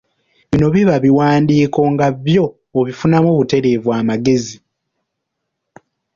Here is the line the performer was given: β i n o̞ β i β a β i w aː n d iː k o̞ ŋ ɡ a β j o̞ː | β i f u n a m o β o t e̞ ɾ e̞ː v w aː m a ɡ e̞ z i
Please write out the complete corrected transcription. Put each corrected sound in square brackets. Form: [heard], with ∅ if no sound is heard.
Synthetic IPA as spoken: β i n o̞ β i β a β i w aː n d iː k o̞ ŋ ɡ a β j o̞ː | β i f u n a m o β [u] t e̞ ɾ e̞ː v w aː m a ɡ e̞ z i

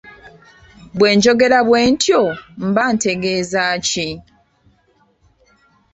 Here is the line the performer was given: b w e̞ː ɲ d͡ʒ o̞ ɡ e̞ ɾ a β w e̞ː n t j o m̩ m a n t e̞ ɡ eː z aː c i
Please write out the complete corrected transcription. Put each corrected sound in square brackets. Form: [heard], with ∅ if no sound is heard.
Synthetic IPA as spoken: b w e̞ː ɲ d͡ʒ o̞ ɡ e̞ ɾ a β w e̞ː n t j o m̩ [b] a n t e̞ ɡ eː z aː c i

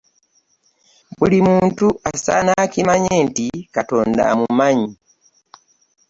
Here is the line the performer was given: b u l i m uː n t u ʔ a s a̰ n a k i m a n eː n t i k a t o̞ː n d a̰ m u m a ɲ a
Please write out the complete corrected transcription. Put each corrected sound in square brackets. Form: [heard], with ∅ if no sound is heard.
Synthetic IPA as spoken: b u l i m uː n t u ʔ a s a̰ n a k i m a [ɲ] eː n t i k a t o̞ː n d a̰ m u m a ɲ [i]

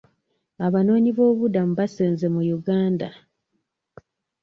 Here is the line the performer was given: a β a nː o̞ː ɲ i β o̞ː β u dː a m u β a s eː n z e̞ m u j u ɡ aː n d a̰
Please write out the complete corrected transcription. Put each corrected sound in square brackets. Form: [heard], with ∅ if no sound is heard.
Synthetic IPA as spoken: a β a [n] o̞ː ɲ i β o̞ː β u [d] a m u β a s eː n z e̞ m u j u ɡ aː n d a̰

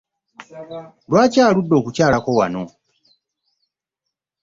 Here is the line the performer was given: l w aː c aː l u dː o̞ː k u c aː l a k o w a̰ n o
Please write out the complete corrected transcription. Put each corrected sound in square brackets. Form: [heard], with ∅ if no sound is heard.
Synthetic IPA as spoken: l w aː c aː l u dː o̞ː k u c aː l a k o w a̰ n o

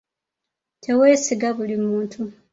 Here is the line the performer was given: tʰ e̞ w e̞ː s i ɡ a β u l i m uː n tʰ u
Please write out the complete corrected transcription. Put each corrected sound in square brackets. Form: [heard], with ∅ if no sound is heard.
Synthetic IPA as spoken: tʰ e̞ w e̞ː s i ɡ a β u l i m uː n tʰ u

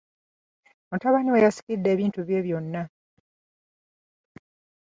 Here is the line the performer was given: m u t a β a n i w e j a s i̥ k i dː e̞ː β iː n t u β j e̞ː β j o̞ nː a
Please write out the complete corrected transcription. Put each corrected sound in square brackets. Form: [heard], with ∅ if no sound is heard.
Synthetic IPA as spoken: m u t a β a n i w e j a s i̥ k i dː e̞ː β iː n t u β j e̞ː β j o̞ nː a

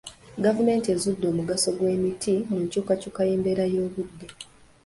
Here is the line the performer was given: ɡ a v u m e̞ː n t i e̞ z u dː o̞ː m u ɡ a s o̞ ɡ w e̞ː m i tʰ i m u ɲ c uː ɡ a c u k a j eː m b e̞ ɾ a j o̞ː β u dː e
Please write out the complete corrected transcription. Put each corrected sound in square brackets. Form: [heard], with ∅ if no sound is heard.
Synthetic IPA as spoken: ɡ a v u m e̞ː n t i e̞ z u dː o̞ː m u ɡ a s o̞ ɡ w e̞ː m i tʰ i m u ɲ c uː [k] a c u k a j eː m b e̞ ɾ a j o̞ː β u dː e

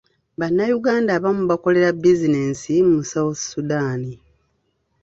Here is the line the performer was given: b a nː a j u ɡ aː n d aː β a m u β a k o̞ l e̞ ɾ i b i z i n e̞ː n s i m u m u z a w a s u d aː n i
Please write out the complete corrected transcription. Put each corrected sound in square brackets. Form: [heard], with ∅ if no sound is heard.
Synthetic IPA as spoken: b a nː a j u ɡ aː n d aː β a m u β a k o̞ l e̞ ɾ [a] b i z i n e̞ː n s i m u m u [s] a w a s u d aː n i

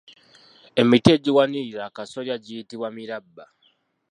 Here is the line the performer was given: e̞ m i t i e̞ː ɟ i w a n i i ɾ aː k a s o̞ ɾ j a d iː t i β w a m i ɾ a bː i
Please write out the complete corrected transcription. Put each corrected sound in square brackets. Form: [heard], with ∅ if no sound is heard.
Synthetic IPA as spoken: e̞ m i t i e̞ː ɟ i w a n i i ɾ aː k a s o̞ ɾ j a [ɟ] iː t i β w a m i ɾ a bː [a]

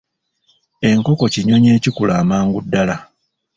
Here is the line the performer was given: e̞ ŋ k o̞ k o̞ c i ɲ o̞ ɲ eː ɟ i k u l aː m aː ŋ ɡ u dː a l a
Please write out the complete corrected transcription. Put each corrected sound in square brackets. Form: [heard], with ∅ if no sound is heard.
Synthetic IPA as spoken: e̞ ŋ k o̞ k o̞ c i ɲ o̞ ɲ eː [c] i k u l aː m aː ŋ ɡ u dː a l a

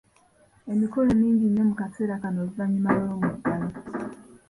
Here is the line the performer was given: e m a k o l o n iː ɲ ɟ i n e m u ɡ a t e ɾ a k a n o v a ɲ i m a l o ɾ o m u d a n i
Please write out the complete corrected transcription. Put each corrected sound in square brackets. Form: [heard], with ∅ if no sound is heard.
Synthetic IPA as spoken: e m [i] k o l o [m] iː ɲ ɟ i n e m u [k] a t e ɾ a k a n o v a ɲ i m a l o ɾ o m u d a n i

